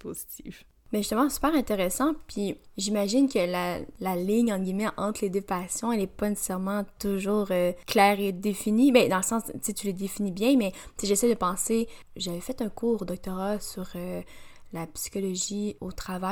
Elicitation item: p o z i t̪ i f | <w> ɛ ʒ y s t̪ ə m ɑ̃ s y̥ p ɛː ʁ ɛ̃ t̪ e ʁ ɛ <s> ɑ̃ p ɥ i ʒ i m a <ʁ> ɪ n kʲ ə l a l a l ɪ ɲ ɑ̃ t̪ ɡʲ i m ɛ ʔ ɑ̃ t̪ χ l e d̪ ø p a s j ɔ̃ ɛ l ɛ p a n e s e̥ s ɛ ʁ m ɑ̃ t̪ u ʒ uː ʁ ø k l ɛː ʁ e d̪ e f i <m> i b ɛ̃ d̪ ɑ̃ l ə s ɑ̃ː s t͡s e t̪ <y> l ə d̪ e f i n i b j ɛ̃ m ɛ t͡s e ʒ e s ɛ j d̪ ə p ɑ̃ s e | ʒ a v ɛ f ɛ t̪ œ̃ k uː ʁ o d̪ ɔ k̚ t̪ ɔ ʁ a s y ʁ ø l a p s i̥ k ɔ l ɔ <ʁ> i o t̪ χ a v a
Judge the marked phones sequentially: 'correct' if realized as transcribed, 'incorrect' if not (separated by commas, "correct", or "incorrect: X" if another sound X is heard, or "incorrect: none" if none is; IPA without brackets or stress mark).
incorrect: b, correct, incorrect: ʒ, incorrect: n, correct, incorrect: ʒ